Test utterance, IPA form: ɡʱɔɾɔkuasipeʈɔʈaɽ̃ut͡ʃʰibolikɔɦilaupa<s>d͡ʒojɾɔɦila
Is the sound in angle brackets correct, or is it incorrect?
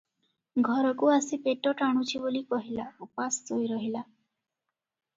correct